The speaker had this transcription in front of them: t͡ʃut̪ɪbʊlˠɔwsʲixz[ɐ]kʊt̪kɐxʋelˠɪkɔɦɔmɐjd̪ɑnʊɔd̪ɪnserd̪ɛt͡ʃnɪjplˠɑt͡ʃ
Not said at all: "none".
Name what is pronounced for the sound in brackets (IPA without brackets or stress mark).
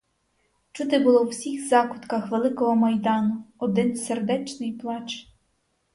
ɑ